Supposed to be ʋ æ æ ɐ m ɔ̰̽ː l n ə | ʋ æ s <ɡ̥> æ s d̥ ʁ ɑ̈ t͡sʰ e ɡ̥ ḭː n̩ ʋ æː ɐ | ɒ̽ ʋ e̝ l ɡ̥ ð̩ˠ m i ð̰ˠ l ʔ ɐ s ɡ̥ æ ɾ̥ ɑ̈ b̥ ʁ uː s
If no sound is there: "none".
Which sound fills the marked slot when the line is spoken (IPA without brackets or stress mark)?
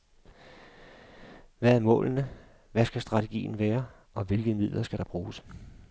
ɡ̥